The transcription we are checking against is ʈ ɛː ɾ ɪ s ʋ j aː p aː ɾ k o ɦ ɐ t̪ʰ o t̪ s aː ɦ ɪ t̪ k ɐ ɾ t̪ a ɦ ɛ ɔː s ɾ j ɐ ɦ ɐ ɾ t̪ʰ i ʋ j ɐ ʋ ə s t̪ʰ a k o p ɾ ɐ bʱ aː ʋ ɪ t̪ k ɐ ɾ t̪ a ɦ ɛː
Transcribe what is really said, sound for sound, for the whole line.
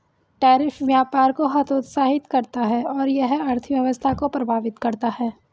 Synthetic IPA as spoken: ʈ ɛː ɾ ɪ f ʋ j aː p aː ɾ k o ɦ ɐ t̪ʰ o t̪ s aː ɦ ɪ t̪ k ɐ ɾ t̪ a ɦ ɛ ɔː ɾ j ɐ ɦ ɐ ɾ t̪ʰ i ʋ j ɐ ʋ ə s t̪ʰ a k o p ɾ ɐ bʱ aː ʋ ɪ t̪ k ɐ ɾ t̪ a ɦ ɛː